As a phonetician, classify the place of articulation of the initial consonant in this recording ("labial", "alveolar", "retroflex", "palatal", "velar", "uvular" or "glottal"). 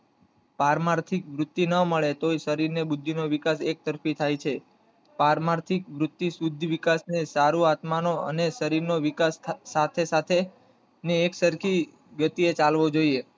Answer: labial